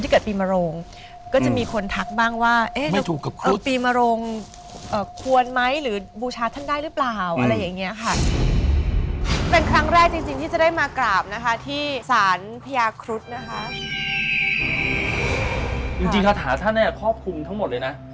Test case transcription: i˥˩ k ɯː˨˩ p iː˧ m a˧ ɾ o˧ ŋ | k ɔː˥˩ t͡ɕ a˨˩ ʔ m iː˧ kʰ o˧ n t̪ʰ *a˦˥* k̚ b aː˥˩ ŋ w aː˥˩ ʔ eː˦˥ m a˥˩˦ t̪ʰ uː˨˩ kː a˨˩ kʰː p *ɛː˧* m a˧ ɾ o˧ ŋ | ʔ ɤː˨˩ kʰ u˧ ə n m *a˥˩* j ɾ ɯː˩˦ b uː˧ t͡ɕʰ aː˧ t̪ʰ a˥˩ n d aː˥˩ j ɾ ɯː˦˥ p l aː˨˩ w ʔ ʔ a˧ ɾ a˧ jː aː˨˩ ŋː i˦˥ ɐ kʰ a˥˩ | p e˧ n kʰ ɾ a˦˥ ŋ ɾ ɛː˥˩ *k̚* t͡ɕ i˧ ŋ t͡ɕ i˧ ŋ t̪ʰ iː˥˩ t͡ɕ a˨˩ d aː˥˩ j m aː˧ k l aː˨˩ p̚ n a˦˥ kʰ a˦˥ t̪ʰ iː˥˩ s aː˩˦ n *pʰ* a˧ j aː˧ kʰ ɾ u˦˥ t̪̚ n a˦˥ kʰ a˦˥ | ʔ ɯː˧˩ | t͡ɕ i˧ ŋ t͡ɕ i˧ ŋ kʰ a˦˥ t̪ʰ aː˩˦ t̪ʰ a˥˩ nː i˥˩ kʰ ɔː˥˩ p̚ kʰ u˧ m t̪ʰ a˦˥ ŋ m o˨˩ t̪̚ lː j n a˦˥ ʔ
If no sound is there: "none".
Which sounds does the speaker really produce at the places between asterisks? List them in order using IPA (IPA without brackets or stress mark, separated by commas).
a˦˥, iː˧, a˦˥, k̚, pʰ